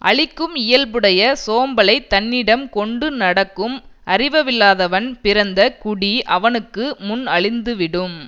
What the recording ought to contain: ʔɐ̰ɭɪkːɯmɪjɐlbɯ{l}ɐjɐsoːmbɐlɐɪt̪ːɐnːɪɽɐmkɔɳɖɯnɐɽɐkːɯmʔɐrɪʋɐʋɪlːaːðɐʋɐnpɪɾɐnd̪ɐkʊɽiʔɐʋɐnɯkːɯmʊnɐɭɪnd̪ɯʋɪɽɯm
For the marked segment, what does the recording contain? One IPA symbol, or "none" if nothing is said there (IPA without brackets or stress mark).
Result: ɽ